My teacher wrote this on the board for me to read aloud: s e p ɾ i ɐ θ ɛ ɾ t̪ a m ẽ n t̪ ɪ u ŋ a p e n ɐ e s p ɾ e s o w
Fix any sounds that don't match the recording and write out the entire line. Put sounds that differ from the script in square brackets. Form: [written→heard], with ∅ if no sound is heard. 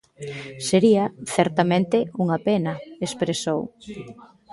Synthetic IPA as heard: s e [p→∅] ɾ i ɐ θ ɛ ɾ t̪ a m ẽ n t̪ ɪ u ŋ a p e n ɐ e s p ɾ e s o w